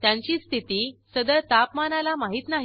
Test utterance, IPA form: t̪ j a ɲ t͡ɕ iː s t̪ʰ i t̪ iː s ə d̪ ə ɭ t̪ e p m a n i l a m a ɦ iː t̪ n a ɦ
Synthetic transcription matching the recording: t̪ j a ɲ t͡ɕ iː s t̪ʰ i t̪ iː s ə d̪ ə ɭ t̪ a p m a n a l a m a ɦ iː t̪ n a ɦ